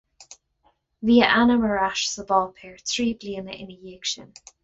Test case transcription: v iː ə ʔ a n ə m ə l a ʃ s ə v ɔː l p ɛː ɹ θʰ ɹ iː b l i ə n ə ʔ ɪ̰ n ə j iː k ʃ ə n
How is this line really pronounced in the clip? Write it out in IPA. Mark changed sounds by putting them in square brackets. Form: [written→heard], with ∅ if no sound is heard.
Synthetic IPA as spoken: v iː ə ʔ a n ə m ə [l→ɹ] a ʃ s ə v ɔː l [p→pʰ] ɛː ɹ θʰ ɹ iː b l i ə n ə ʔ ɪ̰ n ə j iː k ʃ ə n